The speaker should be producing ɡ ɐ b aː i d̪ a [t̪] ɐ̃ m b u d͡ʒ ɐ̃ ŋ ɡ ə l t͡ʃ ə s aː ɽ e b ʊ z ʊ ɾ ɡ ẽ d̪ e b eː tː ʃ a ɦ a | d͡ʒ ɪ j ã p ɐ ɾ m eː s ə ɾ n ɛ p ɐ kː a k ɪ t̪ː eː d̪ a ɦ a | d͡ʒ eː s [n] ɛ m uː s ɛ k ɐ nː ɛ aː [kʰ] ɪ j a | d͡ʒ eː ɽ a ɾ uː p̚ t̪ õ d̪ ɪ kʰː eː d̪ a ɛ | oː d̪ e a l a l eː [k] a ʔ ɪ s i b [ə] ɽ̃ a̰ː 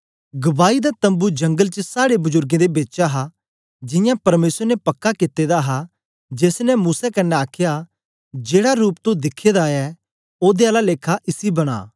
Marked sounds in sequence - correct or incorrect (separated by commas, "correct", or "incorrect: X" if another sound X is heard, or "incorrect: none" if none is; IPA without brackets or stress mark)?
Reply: correct, correct, correct, incorrect: kʰ, incorrect: ɐ